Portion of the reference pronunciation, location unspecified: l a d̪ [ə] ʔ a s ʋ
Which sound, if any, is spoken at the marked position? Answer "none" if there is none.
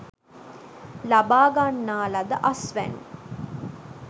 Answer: ə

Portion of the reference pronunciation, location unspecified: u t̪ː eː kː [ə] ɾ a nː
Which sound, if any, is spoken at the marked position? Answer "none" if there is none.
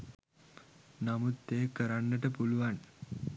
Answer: ə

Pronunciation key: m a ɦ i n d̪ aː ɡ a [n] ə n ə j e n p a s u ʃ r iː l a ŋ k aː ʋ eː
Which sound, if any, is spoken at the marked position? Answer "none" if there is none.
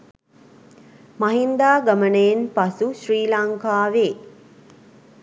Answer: m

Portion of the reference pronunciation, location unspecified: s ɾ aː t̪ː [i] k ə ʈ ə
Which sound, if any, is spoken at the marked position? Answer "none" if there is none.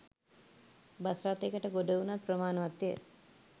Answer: e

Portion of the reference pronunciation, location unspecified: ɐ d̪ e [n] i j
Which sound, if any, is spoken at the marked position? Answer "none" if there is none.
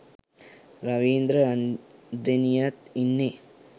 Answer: n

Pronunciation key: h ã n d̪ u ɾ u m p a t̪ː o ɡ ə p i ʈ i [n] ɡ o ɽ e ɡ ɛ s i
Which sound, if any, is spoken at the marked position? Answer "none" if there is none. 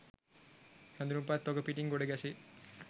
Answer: ŋ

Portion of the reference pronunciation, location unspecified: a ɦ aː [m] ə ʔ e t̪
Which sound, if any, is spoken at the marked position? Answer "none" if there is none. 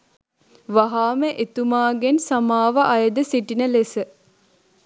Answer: m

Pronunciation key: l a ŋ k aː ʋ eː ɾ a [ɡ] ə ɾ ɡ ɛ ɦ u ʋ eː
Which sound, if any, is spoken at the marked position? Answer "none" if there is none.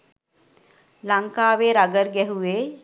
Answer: ɡ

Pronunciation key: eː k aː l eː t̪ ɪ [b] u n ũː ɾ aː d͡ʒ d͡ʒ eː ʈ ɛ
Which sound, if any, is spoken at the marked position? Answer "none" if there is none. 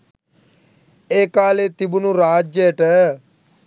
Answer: b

